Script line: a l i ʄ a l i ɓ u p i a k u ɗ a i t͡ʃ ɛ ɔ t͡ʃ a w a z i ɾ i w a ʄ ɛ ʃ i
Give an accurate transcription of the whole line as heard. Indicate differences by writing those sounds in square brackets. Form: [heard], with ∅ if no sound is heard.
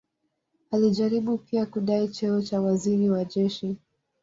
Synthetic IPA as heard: a l i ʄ a [ɾ] i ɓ u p i a k u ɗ a i t͡ʃ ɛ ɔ t͡ʃ a w a z i ɾ i w a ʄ ɛ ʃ i